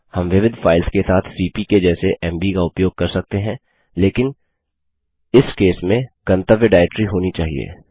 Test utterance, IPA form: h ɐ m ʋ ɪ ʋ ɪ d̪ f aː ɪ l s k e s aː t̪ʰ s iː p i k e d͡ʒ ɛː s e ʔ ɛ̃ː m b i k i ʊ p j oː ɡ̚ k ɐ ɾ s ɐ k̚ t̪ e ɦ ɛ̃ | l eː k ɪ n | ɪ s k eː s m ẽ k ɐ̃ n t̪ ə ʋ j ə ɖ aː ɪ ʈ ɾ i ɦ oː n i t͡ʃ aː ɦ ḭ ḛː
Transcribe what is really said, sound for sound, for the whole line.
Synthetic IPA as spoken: h ɐ m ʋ ɪ ʋ ɪ d̪ f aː ɪ l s k e s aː t̪ʰ s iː p i k e d͡ʒ ɛː s e ʔ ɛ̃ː m b i k a ʊ p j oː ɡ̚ k ɐ ɾ s ɐ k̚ t̪ e ɦ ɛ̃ | l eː k ɪ n | ɪ s k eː s m ẽ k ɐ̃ n t̪ ə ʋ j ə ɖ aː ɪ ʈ ɾ i ɦ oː n i t͡ʃ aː ɦ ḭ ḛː